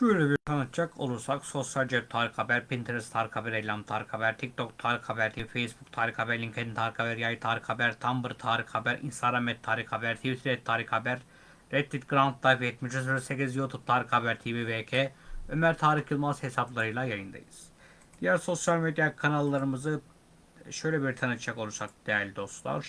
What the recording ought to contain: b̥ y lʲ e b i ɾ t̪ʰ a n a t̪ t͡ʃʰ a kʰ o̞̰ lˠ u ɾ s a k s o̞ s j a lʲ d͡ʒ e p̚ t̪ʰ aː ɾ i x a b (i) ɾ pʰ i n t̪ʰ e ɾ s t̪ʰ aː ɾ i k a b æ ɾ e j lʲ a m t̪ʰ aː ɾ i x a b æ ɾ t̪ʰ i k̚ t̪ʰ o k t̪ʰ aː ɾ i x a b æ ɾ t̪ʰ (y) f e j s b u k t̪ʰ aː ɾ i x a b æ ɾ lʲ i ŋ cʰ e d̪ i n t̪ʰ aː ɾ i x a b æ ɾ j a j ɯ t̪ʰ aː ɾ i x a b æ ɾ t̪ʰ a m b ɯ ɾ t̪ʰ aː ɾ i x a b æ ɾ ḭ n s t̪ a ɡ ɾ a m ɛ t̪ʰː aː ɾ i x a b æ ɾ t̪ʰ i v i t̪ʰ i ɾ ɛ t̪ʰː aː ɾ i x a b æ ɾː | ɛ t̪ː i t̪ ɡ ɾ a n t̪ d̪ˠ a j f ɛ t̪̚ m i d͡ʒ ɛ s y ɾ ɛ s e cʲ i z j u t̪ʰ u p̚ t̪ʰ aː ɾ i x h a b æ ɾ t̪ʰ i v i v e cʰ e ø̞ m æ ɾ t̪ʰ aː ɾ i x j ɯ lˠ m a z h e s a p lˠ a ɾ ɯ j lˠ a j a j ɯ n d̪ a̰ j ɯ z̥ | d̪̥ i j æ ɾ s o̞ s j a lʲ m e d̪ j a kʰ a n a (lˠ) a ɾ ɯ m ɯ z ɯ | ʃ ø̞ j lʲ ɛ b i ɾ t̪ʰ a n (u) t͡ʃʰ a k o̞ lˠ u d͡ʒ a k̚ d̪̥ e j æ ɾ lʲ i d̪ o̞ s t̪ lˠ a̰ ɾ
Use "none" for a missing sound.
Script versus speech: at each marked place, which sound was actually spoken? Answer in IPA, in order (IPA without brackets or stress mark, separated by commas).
æ, i, lˠː, ɯ